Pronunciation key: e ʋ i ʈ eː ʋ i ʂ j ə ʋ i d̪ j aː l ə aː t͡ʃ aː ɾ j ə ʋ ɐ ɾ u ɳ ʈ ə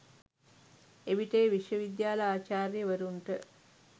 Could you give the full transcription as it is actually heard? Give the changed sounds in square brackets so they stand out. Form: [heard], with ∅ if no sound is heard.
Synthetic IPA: e ʋ i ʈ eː ʋ i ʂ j ə ʋ i d̪ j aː l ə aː t͡ʃ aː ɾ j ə ʋ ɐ ɾ u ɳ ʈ ə